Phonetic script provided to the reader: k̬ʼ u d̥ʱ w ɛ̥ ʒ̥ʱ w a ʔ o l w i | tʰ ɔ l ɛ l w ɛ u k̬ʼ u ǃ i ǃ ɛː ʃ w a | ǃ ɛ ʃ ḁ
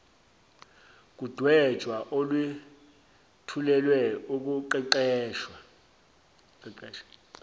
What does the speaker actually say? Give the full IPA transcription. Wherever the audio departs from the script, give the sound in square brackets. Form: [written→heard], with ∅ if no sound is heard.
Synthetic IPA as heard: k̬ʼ u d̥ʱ w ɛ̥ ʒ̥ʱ w a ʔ o l w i | tʰ [ɔ→u] l ɛ l w ɛ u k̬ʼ u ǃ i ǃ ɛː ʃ w a | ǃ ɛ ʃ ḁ

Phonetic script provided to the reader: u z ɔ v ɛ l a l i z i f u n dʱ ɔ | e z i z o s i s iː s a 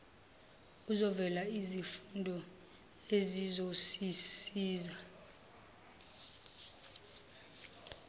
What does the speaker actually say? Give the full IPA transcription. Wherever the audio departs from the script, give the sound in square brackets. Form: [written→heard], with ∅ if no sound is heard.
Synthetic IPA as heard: u z ɔ v ɛ l a [l→∅] i z i f u n dʱ ɔ | e z i z o s i s iː [s→z] a

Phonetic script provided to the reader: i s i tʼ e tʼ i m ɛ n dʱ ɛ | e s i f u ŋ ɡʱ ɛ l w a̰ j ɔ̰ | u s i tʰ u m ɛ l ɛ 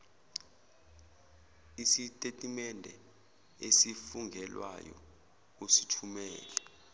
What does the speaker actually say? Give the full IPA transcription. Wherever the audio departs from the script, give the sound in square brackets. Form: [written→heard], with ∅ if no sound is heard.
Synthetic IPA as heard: i s i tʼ e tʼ i m ɛ n dʱ ɛ | e s i f u ŋ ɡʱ ɛ l w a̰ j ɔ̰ | u s i tʰ u m [ɛ→ɛː] l ɛ

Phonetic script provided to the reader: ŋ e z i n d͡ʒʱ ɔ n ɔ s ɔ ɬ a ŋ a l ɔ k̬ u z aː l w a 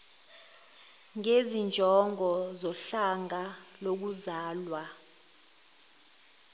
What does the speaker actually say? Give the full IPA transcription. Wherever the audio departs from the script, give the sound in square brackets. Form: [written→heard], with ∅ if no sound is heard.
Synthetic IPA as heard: ŋ e z i n d͡ʒʱ ɔ [n→ŋ] ɔ [s→z] ɔ ɬ a ŋ a l [ɔ→o] k̬ u z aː l w a

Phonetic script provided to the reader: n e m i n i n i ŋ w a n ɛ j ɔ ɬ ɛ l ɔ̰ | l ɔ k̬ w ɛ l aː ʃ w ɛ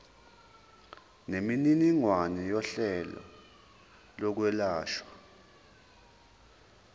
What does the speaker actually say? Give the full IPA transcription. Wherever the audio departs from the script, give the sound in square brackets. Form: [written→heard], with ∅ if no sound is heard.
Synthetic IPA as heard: n e m i n i n i ŋ w a n ɛ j ɔ ɬ ɛ l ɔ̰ | l ɔ k̬ w ɛ l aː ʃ w [ɛ→a]

